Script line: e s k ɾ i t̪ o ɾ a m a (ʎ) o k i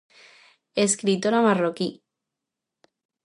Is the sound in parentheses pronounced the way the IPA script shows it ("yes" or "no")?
no